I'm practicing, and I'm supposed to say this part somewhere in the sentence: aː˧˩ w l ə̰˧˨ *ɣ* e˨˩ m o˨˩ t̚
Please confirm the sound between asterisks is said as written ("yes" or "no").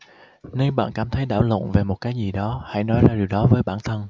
no